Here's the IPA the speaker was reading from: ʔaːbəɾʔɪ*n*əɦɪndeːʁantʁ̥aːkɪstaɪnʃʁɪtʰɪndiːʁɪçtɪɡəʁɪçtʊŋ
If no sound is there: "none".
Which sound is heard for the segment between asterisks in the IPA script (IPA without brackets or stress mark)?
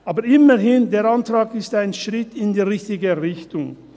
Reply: m